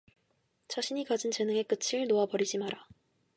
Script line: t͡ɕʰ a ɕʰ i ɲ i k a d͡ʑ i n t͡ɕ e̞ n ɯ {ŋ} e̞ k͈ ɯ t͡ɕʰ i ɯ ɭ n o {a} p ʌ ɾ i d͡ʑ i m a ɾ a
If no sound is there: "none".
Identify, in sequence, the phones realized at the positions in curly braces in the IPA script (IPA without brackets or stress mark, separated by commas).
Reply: ŋ, a